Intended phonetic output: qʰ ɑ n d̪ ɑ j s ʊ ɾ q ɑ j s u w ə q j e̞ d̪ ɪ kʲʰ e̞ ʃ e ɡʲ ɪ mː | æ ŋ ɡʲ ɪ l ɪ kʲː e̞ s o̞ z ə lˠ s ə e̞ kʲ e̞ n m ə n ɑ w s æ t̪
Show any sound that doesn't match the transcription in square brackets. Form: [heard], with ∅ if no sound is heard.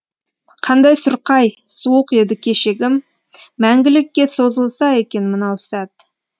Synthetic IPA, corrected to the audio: qʰ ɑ n d̪ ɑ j s ʊ ɾ q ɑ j s u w ə q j e̞ d̪ ɪ kʲʰ e̞ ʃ e ɡʲ ɪ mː | æ ŋ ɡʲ ɪ l ɪ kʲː e̞ s o̞ z ə lˠ s [ɑ] e̞ kʲ e̞ n m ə n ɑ w s æ t̪